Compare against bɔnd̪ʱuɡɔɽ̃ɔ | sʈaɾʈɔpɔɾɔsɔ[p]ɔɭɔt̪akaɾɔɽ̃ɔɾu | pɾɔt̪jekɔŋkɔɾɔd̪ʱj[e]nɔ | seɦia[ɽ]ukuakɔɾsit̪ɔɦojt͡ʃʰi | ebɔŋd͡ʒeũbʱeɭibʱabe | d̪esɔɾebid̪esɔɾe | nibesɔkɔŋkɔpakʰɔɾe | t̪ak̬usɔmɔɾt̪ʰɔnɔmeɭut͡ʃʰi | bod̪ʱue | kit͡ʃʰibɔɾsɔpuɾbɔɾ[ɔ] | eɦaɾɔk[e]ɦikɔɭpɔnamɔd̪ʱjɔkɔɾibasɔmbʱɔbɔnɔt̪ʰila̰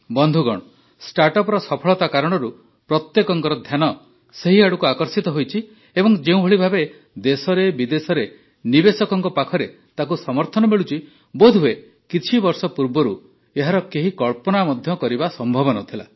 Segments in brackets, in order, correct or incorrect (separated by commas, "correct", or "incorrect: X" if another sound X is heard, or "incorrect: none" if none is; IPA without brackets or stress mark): incorrect: pʰ, incorrect: a, correct, incorrect: u, correct